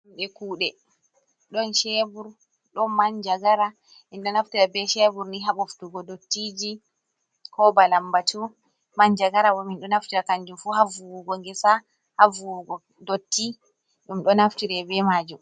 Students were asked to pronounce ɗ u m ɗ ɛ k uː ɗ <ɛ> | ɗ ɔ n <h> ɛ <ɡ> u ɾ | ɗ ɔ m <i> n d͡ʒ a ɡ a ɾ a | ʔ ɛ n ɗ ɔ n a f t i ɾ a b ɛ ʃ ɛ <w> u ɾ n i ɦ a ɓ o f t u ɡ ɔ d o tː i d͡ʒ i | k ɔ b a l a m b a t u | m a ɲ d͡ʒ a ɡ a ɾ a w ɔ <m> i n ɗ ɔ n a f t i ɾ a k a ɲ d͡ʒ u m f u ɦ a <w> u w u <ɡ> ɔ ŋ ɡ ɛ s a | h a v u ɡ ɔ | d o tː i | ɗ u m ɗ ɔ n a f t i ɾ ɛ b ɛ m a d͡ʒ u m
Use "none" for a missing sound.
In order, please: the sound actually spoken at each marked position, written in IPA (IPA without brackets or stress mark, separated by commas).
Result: ɛ, ʃ, b, a, b, m, v, ɡ